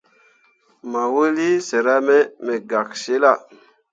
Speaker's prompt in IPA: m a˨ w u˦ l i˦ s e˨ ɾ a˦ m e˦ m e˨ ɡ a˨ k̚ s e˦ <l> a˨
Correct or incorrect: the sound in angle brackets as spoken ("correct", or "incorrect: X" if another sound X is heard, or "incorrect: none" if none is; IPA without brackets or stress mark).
correct